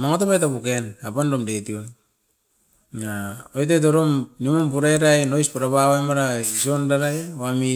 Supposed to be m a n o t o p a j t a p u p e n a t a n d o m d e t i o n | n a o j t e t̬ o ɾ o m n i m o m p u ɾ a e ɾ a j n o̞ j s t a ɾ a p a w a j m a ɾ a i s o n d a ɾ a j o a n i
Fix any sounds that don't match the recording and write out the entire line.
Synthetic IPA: m a ŋ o t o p a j t a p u k e n a p a n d o m d e t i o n | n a o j t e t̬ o ɾ o m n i m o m p u ɾ a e ɾ a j n o̞ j s p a ɾ a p a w a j m a ɾ a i s o n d a ɾ a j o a m i

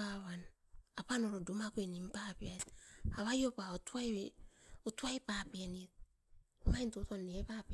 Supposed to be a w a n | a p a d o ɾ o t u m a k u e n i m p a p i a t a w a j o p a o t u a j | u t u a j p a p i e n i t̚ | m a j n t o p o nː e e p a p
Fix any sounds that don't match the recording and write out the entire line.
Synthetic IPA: a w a n | a p a n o ɾ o d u m a k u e n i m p a p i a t a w a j o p a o t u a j | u t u a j p a p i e n i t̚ | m a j n t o t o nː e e p a p

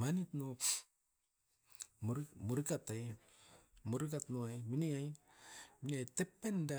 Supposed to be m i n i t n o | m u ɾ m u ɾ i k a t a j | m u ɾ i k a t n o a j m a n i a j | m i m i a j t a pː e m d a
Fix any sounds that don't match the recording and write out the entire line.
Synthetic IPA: m a n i t n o | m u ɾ m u ɾ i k a t a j | m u ɾ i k a t n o a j m i n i a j | m i n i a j t e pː e n d a

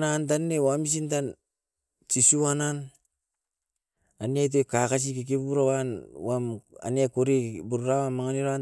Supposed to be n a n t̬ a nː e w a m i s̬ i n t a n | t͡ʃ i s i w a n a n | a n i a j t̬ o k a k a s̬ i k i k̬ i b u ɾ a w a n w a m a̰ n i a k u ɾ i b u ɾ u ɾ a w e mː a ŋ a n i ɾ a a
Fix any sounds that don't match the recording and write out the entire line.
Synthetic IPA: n a n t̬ a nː e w a m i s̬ i n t a n | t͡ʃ i s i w a n a n | a n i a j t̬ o k a k a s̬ i k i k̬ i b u ɾ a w a n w a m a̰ n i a k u ɾ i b u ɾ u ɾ a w a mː a ŋ a n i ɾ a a

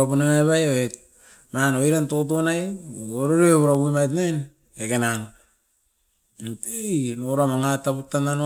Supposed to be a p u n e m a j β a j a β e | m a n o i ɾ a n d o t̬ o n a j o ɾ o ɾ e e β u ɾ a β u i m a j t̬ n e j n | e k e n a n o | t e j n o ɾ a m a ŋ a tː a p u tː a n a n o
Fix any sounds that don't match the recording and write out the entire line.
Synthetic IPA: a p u n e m a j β a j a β e | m a n o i ɾ a n t o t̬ o n a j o ɾ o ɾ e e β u ɾ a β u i m a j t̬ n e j n | e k e n a n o | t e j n o ɾ a m a ŋ a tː a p u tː a n a n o

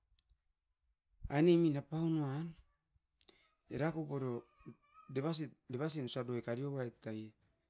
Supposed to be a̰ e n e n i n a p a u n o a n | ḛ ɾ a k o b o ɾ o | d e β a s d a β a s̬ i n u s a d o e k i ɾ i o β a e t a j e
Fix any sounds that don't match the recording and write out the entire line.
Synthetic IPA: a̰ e n e m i n a p a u n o a n | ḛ ɾ a k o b o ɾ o | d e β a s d e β a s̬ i n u s a d o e k a ɾ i o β a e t a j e

